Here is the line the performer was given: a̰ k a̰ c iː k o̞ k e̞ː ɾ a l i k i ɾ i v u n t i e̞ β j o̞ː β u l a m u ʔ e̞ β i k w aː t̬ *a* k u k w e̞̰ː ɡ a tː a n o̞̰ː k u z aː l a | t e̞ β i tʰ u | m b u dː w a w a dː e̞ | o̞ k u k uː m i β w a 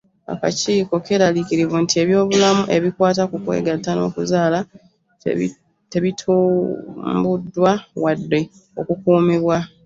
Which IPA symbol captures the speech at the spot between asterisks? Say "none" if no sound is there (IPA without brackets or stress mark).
a